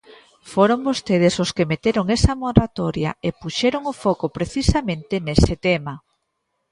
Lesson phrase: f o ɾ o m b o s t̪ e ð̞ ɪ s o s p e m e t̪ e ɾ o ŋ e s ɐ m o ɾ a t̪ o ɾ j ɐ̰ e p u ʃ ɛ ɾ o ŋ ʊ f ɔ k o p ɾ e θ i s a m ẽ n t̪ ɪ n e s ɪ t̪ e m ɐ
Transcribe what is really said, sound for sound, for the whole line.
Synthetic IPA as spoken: f o ɾ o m b o s t̪ e ð̞ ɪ s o s k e m e t̪ e ɾ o ŋ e s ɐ m o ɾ a t̪ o ɾ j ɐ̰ e p u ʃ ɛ ɾ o ŋ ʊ f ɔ k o p ɾ e θ i s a m ẽ n t̪ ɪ n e s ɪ t̪ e m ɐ